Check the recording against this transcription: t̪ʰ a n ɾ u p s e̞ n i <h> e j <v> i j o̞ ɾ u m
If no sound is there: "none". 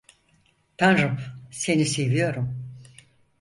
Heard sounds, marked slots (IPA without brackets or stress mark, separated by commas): s, v